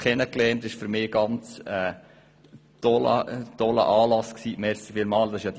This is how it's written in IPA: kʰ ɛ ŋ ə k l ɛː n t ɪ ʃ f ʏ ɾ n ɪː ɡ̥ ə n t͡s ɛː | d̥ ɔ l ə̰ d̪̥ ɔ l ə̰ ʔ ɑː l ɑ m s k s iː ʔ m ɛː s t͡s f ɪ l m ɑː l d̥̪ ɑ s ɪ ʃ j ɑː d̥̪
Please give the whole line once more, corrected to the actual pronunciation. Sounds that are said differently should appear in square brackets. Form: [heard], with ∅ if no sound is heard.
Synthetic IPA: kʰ ɛ [n] ə k l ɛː n t ɪ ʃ f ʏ ɾ [m] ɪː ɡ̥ [ɑ] n t͡s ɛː | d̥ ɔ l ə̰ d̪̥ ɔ l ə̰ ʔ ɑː l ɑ [∅] s k s iː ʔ m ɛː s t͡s f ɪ l m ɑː l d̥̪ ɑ s ɪ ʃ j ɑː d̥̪